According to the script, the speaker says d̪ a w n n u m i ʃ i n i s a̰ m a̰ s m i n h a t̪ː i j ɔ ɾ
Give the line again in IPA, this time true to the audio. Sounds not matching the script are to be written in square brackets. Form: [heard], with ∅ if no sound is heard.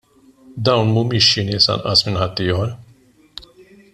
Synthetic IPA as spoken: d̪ a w n [m] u m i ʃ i n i s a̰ [n] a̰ s m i n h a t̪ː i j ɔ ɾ